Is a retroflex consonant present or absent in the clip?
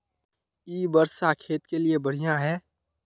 present